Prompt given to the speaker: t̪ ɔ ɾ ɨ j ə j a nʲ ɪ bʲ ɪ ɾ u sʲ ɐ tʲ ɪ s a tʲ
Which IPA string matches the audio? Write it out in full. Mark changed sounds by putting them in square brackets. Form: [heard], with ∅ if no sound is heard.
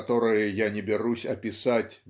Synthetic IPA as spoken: t̪ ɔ ɾ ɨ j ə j a nʲ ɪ bʲ ɪ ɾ u sʲ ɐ [pʲ] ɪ s a tʲ